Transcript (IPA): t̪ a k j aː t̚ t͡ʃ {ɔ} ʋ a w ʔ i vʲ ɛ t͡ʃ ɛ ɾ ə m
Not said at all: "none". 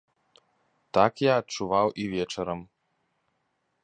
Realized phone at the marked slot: u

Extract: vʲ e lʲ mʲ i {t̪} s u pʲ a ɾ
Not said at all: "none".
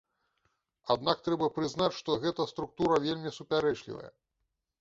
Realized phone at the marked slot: none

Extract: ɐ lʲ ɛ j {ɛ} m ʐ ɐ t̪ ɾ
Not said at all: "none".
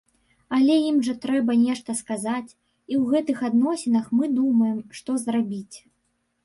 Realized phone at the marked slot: i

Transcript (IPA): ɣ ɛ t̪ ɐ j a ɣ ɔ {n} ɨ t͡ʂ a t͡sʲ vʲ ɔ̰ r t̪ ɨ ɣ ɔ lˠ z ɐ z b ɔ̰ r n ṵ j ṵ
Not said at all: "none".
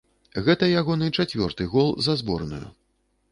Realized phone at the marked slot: n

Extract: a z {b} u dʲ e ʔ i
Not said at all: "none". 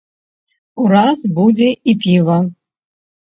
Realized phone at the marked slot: b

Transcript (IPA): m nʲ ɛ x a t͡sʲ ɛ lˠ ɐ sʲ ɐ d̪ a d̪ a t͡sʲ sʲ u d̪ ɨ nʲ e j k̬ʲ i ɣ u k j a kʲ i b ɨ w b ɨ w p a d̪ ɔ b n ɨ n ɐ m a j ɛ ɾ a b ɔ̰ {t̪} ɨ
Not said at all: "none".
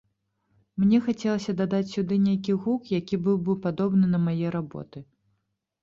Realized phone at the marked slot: t̪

